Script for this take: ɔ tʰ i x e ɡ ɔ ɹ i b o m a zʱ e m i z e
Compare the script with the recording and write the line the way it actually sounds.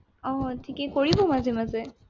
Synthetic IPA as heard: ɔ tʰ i k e k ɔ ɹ i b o m a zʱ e m a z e